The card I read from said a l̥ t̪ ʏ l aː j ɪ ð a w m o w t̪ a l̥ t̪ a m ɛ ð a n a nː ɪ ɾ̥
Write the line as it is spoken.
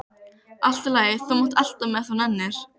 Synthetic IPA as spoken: a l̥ t̪ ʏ l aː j ɪ θ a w m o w t̪ a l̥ t̪ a m ɛ θ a n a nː ɪ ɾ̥